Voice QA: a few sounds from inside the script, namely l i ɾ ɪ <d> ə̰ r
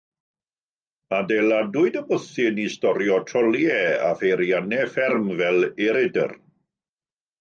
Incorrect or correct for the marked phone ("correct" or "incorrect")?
correct